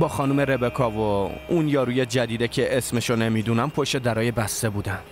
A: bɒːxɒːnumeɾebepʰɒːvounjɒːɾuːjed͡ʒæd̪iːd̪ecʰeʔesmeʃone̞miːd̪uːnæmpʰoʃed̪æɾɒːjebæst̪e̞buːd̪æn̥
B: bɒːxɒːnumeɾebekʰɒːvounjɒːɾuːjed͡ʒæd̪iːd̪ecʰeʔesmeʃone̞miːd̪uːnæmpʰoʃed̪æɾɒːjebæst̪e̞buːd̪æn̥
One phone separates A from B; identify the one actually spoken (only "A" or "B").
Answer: B